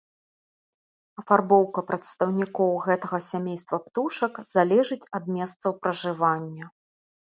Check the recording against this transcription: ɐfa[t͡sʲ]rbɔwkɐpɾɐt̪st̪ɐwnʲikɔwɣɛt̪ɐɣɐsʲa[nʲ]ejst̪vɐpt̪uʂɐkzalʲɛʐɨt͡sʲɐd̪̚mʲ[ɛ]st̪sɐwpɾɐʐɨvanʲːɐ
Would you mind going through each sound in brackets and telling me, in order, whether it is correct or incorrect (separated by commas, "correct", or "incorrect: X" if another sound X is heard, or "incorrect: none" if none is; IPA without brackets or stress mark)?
incorrect: none, incorrect: mʲ, correct